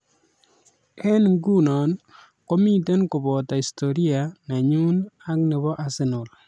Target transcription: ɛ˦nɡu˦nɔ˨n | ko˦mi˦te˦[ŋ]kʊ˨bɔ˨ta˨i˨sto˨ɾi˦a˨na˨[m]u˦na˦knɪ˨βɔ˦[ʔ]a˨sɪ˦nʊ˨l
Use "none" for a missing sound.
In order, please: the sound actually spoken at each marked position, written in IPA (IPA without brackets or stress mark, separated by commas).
n, ɲ, ʔ